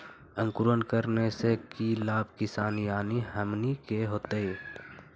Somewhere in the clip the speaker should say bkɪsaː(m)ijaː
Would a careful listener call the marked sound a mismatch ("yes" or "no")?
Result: yes